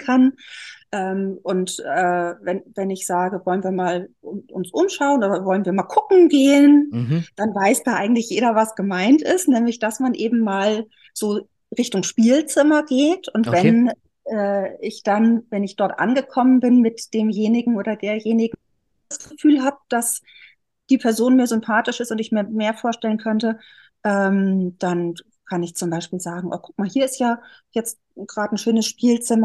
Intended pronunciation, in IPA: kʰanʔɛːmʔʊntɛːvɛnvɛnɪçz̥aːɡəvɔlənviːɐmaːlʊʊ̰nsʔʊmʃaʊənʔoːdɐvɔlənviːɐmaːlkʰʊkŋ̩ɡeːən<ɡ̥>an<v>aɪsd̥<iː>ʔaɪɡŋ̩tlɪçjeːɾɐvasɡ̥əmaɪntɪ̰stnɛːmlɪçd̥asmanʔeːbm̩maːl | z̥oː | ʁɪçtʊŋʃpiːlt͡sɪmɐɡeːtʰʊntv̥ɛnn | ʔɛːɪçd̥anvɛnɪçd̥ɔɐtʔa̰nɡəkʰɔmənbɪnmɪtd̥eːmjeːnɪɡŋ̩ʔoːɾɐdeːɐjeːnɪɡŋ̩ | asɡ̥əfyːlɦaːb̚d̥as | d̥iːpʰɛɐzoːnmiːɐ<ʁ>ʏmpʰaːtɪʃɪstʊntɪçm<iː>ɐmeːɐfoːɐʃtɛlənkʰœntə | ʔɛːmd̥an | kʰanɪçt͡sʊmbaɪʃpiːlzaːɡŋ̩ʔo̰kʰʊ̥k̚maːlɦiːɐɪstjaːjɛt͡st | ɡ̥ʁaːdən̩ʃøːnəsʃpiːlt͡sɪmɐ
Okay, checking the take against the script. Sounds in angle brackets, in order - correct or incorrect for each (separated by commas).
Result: incorrect, correct, incorrect, incorrect, correct